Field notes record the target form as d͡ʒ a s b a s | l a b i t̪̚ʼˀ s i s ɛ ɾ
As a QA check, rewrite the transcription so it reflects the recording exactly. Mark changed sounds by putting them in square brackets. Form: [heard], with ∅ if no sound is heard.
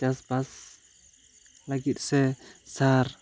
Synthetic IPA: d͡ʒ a s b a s | l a [ɡ] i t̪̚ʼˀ s [ɛ] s [a] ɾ

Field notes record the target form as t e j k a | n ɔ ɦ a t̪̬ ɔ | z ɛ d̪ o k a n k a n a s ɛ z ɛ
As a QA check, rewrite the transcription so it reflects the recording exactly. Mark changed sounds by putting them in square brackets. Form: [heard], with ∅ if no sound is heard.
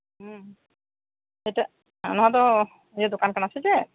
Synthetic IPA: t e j [t] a | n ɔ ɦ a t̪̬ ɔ | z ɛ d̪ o k a n k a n a s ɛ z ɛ

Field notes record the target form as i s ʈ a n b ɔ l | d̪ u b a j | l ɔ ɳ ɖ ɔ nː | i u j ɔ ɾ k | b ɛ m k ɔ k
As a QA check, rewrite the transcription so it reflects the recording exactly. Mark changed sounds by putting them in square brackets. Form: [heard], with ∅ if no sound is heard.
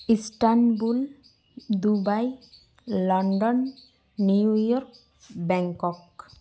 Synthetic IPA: i s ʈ a n b [u] l | d̪ u b a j | l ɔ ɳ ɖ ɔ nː | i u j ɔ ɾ k | b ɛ [ŋ] k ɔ k

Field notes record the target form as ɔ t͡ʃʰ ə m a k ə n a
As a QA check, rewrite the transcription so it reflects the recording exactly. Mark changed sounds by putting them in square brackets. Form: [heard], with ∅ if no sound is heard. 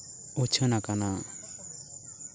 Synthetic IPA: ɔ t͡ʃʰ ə [n] a k [a] n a

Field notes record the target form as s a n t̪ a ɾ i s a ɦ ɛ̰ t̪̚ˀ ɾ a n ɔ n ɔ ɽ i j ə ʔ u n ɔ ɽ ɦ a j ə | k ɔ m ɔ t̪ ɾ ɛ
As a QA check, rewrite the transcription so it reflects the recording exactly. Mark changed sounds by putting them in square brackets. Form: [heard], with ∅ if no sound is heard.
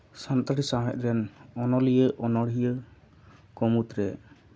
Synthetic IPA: s a n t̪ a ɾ i s a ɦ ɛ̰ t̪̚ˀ ɾ [ɛ] n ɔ n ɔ [l] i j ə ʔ [ɔ] n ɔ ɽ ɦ [i] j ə | k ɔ m [u] t̪ ɾ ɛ

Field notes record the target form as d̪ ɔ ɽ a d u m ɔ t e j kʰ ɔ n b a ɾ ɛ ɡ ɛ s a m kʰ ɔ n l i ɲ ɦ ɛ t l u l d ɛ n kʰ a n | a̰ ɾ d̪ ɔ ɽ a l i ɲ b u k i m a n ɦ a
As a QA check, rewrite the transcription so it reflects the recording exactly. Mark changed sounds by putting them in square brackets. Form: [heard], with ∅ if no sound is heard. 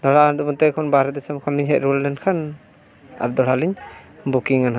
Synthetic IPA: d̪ ɔ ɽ a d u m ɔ t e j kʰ ɔ n b a ɾ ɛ [d] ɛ s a m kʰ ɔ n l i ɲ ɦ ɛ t [ɾ] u l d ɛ n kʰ a n | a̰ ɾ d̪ ɔ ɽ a l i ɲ b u k i [ŋ] a n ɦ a

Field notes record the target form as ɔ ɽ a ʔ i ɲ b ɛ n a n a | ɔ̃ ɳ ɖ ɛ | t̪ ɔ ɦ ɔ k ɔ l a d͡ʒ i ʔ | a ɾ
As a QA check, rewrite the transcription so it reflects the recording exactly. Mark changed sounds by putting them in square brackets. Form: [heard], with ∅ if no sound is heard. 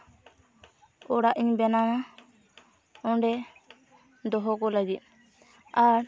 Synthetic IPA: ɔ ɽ a ʔ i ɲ b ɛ n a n a | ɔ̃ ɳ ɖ ɛ | [d̪] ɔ ɦ ɔ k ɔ l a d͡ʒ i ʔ | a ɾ

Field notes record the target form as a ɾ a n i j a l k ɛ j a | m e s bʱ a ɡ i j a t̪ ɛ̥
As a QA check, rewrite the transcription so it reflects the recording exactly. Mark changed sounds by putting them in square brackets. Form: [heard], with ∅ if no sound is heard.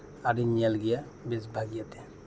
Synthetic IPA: a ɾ [i] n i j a l [ɡ] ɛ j a | [b] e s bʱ a ɡ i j a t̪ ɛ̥

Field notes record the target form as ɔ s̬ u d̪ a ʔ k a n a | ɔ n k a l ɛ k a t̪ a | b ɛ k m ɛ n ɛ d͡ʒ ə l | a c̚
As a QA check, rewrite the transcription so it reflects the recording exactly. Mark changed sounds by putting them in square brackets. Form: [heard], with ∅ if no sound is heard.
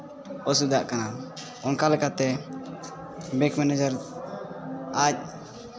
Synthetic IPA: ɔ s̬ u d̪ a ʔ k a n a | ɔ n k a l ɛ k a t̪ [ɛ] | b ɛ k m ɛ n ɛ d͡ʒ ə [ɾ] | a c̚

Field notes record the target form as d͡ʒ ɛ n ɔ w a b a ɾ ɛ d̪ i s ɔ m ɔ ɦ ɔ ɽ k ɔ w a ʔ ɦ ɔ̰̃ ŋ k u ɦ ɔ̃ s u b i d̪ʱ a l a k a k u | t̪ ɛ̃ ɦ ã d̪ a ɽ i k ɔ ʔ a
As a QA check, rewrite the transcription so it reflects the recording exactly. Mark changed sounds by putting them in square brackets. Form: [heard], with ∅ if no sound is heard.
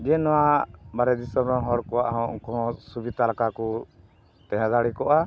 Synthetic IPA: d͡ʒ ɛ n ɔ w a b a ɾ ɛ d̪ i s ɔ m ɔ ɦ ɔ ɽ k ɔ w a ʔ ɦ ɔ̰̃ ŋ k [ɔ] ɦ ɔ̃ s u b i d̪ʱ a l a k a k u | t̪ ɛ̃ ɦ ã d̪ a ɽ i k ɔ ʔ a

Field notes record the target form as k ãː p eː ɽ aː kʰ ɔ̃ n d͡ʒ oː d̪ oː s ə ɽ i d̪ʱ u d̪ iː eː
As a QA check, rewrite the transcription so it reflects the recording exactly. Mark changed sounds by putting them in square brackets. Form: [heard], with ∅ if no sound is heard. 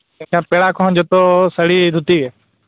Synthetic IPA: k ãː p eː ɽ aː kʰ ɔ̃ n d͡ʒ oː [t̪] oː s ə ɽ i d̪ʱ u [t̪] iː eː

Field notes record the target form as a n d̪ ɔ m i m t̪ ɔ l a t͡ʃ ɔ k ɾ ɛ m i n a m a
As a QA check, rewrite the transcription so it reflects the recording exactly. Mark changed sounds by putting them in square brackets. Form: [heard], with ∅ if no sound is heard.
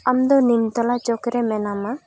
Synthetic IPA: a [m] d̪ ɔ [n] i m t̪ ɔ l a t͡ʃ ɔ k ɾ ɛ m [ɛ] n a m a

